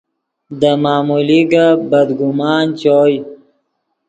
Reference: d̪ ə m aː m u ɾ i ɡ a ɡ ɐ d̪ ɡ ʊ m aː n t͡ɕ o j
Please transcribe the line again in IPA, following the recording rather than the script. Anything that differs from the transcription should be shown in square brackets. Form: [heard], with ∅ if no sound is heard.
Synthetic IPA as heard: d̪ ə m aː m u [l] i ɡ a [b] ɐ d̪ ɡ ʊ m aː n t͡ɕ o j